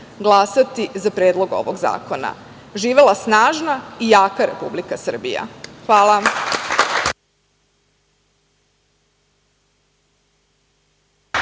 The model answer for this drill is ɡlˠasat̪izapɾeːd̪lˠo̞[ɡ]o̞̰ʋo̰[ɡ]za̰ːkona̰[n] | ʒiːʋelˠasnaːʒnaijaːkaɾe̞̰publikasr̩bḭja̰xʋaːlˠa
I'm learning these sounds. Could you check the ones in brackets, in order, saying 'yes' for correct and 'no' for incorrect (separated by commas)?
yes, yes, no